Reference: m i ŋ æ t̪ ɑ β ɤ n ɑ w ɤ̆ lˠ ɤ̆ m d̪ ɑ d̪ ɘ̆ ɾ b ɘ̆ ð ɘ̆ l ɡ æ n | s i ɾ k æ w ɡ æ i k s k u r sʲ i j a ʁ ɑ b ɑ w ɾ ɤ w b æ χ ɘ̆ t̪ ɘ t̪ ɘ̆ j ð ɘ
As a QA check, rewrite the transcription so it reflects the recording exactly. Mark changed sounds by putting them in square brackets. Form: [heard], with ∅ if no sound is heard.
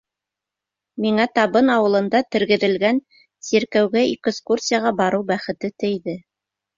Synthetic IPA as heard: m i ŋ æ t̪ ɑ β ɤ n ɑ w ɤ̆ lˠ ɤ̆ [n] d̪ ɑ [t̪] ɘ̆ ɾ [ɡ] ɘ̆ ð ɘ̆ l ɡ æ n | s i ɾ k æ w ɡ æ i k s k u r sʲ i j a ʁ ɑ b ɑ [∅] ɾ ɤ w b æ χ ɘ̆ t̪ ɘ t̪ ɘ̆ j ð ɘ